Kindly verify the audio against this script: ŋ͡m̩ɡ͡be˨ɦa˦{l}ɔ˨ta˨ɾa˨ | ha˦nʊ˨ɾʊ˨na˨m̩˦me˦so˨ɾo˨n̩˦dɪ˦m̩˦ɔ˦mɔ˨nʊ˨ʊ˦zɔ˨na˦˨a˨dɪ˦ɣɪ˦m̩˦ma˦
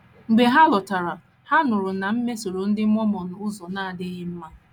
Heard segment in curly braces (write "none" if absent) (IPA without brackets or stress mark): l